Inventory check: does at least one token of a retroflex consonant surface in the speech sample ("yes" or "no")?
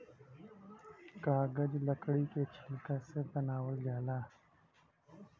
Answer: yes